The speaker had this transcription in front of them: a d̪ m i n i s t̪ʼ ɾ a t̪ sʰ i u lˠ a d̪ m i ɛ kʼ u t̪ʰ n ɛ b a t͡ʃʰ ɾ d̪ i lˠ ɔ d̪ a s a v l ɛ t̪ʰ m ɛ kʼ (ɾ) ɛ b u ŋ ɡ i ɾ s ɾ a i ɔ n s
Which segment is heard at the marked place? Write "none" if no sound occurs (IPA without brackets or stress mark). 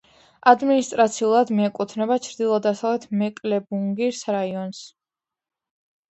l